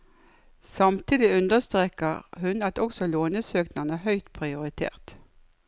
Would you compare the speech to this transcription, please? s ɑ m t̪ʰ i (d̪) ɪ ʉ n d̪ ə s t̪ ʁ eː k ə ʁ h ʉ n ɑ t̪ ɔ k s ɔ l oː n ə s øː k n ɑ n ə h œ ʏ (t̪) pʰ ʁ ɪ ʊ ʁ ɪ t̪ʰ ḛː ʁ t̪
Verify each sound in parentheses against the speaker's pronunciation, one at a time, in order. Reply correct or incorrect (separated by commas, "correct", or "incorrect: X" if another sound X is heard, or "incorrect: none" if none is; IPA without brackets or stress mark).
correct, correct